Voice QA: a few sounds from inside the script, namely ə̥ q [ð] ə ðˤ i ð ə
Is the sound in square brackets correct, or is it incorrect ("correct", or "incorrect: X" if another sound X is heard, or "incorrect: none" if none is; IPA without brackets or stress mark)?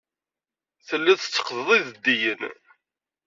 correct